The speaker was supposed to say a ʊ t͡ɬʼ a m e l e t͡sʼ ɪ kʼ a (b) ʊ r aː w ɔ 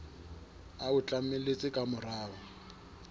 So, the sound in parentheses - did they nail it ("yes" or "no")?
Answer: no